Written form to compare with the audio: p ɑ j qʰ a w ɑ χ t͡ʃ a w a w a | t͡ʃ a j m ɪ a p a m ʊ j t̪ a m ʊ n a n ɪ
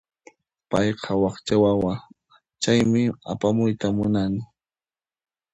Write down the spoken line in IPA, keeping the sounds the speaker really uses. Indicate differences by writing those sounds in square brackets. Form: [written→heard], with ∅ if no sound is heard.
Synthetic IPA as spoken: p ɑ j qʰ [a→ɑ] w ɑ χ t͡ʃ a w a w a | t͡ʃ a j m ɪ a p a m ʊ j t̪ a m ʊ n a n ɪ